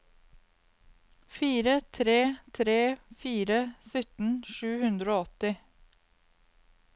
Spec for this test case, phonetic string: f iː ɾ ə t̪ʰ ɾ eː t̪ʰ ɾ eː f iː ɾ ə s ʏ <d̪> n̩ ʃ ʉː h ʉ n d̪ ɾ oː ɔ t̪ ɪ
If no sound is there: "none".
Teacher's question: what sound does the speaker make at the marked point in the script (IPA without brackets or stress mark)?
t̪